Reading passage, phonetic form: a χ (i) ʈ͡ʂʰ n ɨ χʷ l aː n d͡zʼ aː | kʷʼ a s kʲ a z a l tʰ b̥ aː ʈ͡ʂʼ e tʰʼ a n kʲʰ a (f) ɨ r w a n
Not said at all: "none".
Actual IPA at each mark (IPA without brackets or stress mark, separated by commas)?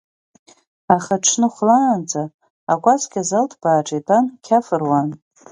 a, f